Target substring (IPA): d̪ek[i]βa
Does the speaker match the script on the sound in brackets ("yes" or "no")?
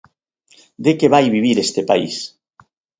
no